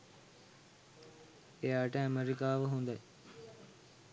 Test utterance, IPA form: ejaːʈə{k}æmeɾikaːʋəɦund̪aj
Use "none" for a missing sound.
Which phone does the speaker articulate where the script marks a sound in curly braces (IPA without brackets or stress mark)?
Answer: none